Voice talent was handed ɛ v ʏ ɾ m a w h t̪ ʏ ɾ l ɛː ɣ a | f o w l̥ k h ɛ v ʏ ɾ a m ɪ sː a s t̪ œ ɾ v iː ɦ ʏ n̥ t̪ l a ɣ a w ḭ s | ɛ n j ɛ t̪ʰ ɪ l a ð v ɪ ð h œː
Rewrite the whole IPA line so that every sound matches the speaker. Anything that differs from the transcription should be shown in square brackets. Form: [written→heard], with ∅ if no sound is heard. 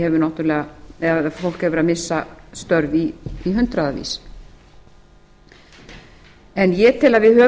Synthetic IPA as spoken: ɛ v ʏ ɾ [m→n] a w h t̪ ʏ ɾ l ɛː ɣ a | f o w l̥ k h ɛ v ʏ ɾ a m ɪ sː a s t̪ œ ɾ v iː ɦ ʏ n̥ t̪ [l→ɾ] a [ɣ→ð] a [w→v] ḭ s | ɛ n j ɛ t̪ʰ ɪ l a ð v ɪ ð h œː